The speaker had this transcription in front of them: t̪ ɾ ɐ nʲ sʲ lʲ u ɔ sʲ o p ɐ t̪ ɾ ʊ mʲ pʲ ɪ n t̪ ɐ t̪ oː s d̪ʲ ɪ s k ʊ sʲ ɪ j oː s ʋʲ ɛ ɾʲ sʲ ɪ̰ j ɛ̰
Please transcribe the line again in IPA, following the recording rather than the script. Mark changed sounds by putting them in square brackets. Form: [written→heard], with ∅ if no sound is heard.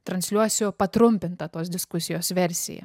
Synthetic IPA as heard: t̪ ɾ ɐ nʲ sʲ lʲ u ɔ sʲ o p ɐ t̪ ɾ ʊ mʲ pʲ ɪ n t̪ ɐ t̪ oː s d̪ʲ ɪ s k ʊ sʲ ɪ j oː s ʋʲ ɛ ɾʲ sʲ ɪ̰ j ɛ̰

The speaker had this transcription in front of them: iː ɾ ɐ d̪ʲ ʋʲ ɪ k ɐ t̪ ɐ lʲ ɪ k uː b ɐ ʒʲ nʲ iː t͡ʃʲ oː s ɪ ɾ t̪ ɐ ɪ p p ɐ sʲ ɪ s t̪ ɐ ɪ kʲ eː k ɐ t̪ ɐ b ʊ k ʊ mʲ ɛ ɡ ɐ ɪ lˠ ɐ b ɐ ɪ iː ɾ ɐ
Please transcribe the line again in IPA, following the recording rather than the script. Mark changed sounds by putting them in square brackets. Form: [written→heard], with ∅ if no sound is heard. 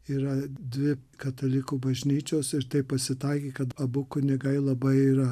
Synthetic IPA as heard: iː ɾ ɐ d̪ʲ ʋʲ ɪ k ɐ t̪ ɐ lʲ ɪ k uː b ɐ ʒʲ nʲ iː t͡ʃʲ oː s ɪ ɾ t̪ ɐ ɪ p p ɐ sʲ ɪ [s→∅] t̪ ɐ ɪ kʲ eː k ɐ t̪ ɐ b ʊ k ʊ [mʲ→nʲ] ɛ ɡ ɐ ɪ lˠ ɐ b ɐ ɪ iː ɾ ɐ

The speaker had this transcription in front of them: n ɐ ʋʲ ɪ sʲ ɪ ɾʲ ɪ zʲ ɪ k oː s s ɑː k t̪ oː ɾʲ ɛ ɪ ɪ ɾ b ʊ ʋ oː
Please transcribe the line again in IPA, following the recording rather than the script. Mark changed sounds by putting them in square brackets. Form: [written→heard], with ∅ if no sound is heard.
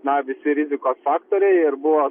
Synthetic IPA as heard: n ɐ ʋʲ ɪ sʲ ɪ ɾʲ ɪ zʲ ɪ k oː s [s→f] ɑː k t̪ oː ɾʲ ɛ ɪ ɪ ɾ b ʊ ʋ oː

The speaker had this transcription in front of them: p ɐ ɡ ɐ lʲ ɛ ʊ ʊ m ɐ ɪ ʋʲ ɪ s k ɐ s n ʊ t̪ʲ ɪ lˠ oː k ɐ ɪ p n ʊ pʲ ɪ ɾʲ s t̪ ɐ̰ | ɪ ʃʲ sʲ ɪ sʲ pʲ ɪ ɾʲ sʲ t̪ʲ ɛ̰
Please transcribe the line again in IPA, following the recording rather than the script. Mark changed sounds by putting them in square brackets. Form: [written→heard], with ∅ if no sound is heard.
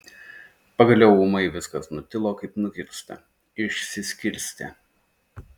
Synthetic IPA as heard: p ɐ ɡ ɐ lʲ ɛ ʊ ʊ m ɐ ɪ ʋʲ ɪ s k ɐ s n ʊ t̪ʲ ɪ lˠ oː k ɐ ɪ p n ʊ [pʲ→kʲ] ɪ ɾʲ s t̪ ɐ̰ | ɪ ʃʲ sʲ ɪ sʲ [pʲ→kʲ] ɪ ɾʲ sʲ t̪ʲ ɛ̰

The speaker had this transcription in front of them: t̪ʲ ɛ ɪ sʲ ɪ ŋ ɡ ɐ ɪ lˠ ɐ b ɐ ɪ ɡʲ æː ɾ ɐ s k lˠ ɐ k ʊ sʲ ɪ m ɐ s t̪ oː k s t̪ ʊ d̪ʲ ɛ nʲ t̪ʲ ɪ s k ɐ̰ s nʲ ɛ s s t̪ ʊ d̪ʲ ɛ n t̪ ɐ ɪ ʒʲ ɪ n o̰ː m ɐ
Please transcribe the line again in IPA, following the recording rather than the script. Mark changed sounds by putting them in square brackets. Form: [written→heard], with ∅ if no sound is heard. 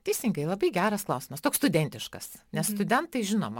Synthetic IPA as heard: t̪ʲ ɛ ɪ sʲ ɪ ŋ ɡ ɐ ɪ lˠ ɐ b ɐ ɪ ɡʲ æː ɾ ɐ s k lˠ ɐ [k→∅] ʊ sʲ ɪ m ɐ s t̪ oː k s t̪ ʊ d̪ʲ ɛ nʲ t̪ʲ ɪ [s→ʃ] k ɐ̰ s nʲ ɛ s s t̪ ʊ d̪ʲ ɛ n t̪ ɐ ɪ ʒʲ ɪ n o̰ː m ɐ

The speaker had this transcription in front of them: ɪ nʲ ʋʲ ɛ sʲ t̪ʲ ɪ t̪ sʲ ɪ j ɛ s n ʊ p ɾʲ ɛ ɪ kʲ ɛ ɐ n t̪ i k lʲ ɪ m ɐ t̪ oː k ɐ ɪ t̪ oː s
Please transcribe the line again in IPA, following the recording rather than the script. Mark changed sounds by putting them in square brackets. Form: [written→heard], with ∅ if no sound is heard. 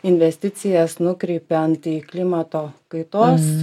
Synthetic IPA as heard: ɪ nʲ ʋʲ ɛ sʲ t̪ʲ ɪ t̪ sʲ ɪ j ɛ s n ʊ [p→k] ɾʲ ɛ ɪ [kʲ→pʲ] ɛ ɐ n t̪ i k lʲ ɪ m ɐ t̪ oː k ɐ ɪ t̪ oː s

